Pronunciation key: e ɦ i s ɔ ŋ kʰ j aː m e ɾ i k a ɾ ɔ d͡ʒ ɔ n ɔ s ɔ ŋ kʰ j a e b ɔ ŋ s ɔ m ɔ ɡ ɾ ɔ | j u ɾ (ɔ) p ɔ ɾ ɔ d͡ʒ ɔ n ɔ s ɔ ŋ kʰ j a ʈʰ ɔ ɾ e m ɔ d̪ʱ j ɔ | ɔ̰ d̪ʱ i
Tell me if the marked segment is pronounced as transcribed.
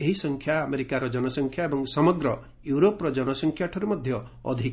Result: no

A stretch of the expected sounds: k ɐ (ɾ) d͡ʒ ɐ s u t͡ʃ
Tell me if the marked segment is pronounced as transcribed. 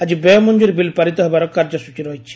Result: yes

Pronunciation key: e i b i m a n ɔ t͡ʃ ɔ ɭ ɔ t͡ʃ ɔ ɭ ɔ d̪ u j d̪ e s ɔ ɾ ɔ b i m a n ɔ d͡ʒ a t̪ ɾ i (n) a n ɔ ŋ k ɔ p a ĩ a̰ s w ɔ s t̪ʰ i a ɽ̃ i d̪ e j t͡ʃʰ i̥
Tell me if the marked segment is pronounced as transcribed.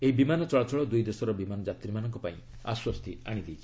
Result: no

